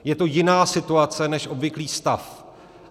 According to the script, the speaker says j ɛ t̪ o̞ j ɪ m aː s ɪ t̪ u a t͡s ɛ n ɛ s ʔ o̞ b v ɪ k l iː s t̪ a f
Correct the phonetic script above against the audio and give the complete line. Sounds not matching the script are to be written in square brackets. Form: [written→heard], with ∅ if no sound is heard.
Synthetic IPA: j ɛ t̪ o̞ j ɪ [m→n] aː s ɪ t̪ u a t͡s ɛ n ɛ [s→ʃ] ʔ o̞ b v ɪ k l iː s t̪ a f